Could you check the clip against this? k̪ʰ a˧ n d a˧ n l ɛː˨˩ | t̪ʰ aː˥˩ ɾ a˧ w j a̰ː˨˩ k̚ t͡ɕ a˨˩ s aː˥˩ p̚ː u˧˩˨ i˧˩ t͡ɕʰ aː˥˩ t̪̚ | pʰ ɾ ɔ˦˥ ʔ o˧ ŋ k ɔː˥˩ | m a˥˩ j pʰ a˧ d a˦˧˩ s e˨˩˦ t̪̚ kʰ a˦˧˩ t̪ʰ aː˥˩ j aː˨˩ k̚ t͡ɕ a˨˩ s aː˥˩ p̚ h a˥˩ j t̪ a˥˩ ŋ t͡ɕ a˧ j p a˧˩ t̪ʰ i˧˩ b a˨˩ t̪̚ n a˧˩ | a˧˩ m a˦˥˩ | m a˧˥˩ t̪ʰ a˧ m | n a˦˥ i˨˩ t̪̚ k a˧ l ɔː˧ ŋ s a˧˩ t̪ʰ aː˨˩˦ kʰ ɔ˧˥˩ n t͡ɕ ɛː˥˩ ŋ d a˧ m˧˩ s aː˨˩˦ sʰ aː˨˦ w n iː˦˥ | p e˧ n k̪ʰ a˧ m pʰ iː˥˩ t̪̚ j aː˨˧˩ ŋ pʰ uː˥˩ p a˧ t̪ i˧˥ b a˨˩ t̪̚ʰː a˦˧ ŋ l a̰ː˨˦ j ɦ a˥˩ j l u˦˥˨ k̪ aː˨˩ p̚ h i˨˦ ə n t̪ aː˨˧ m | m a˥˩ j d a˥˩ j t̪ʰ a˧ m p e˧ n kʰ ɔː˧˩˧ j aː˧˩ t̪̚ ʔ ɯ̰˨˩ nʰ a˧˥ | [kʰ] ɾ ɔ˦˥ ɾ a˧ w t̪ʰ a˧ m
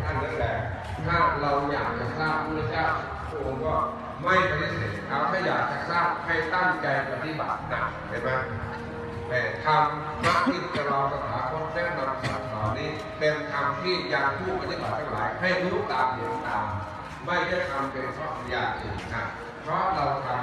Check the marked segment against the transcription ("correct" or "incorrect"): incorrect